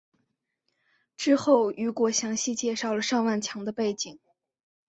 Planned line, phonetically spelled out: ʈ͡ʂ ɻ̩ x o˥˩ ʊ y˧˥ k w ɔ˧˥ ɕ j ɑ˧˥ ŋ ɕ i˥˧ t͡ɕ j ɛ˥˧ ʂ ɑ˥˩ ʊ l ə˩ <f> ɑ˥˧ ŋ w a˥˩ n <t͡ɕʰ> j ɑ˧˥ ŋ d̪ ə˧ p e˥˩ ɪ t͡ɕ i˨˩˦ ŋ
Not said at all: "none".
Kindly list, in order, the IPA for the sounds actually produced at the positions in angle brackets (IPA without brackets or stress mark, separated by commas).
ʂ, t͡ɕʰ